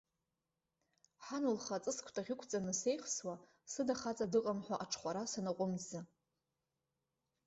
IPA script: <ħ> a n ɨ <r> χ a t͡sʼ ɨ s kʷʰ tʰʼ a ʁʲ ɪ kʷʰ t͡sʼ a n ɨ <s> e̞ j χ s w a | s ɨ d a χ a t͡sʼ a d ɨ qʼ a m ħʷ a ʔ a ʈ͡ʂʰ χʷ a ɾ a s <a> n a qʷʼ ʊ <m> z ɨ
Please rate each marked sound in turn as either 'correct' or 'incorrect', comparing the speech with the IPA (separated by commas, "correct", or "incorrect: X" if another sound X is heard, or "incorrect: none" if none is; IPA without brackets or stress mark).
correct, incorrect: l, correct, correct, correct